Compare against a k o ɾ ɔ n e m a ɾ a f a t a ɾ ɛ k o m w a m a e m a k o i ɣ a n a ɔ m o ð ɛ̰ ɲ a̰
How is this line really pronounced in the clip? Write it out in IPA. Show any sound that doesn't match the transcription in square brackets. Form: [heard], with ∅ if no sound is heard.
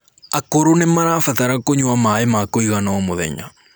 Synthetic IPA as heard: a k o ɾ [o] n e m a ɾ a f a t a ɾ [a] k o [ɲ] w a m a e m a k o i ɣ a n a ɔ m o ð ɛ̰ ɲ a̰